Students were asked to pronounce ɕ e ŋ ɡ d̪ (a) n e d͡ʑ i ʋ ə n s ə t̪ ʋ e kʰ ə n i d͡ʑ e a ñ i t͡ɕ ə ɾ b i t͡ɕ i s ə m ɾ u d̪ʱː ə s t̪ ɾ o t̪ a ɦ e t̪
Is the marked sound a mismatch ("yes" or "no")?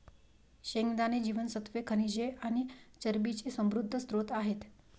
no